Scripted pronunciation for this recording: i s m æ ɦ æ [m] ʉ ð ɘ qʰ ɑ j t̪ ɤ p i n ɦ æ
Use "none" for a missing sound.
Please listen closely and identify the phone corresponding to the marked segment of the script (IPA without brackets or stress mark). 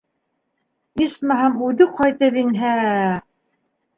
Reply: m